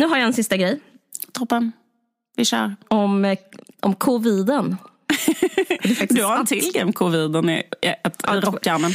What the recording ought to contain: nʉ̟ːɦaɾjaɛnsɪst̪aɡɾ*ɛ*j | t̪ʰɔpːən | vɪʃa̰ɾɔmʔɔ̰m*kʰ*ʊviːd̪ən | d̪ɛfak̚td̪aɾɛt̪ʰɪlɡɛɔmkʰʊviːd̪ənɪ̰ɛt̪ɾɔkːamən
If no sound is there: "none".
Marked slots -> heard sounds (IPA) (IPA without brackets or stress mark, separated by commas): ɛ, kʰ